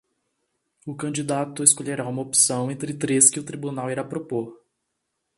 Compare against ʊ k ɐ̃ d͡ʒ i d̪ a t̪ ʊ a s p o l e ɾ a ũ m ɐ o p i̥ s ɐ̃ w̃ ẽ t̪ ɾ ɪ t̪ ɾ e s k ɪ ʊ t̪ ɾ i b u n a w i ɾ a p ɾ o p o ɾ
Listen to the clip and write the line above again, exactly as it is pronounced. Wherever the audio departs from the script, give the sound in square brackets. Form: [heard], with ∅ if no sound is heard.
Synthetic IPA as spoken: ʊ k ɐ̃ d͡ʒ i d̪ a t̪ ʊ [e] s [k] o [ʎ] e ɾ a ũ m ɐ o p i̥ s ɐ̃ w̃ ẽ t̪ ɾ ɪ t̪ ɾ e s k ɪ ʊ t̪ ɾ i b u n a w i ɾ a p ɾ o p o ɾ